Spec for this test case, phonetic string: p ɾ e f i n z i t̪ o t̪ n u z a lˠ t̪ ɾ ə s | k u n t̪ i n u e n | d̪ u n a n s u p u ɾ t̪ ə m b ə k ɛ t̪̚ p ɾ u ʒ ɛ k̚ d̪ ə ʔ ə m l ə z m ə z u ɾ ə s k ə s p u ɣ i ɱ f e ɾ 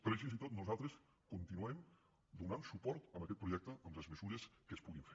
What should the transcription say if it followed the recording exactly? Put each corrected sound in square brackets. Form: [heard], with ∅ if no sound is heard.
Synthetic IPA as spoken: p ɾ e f i n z i t̪ o t̪ n u z a lˠ t̪ ɾ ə s | k u n t̪ i n u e [m] | d̪ u n a n s u p [ɔ] ɾ t̪ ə m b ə k ɛ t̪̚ p ɾ u ʒ ɛ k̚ [t̪] ə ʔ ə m l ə z m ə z u ɾ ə s k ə s p u ɣ i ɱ f e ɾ